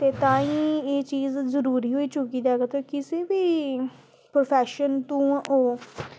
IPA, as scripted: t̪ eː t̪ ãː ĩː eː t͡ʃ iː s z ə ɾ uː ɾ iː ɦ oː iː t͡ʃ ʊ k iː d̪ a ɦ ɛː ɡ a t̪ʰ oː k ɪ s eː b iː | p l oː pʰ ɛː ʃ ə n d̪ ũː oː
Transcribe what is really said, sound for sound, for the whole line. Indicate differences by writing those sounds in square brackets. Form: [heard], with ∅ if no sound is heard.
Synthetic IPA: t̪ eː t̪ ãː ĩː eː t͡ʃ iː [z] z ə ɾ uː ɾ iː ɦ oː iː t͡ʃ ʊ k iː d̪ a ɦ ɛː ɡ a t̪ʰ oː k ɪ s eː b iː | p [ɾ] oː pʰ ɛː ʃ ə n [t̪] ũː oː